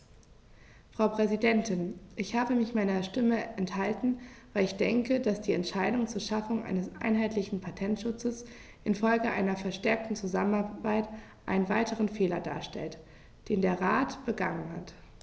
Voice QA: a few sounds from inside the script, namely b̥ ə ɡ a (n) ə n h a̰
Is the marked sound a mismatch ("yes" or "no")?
yes